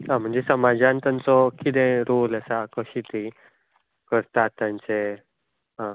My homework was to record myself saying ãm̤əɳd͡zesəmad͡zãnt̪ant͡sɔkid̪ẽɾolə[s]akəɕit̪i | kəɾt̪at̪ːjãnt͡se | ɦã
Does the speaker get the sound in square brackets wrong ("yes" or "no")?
no